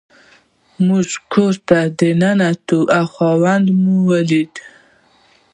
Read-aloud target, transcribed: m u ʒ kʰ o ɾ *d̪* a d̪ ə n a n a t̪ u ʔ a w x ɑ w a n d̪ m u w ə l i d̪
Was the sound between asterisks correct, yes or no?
no